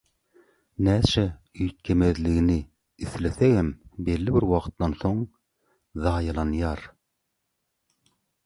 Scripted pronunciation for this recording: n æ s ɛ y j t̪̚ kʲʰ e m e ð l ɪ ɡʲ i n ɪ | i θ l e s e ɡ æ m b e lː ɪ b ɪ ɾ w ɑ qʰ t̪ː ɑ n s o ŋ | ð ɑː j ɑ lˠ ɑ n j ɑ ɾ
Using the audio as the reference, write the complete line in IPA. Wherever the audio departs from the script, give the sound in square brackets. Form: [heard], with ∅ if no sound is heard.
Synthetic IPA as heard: n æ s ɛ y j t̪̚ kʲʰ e m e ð l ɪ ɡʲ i n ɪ | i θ l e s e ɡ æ m b e lː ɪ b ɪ ɾ w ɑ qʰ t̪ː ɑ n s o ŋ | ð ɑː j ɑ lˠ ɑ n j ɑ ɾ